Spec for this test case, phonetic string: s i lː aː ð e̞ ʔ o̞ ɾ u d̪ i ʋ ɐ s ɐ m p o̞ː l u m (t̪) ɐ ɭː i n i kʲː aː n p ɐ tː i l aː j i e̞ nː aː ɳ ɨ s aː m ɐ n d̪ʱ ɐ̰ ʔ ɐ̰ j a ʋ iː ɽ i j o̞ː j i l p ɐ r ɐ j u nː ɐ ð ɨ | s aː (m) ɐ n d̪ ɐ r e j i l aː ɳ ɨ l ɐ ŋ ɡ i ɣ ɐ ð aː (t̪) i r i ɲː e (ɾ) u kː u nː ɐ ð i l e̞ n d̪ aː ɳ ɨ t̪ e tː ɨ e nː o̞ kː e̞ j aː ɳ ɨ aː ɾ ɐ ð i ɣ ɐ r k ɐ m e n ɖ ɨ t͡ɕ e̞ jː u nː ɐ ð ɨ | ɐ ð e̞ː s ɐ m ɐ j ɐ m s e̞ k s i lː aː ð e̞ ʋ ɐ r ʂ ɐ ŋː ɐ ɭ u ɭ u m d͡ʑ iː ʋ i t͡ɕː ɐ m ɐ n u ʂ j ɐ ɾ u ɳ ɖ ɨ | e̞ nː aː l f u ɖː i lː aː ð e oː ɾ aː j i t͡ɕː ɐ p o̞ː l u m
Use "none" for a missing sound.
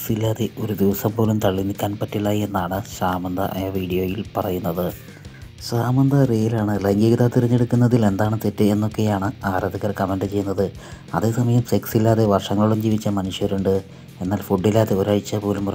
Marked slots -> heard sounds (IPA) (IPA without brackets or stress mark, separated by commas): t̪, m, t̪, ɽ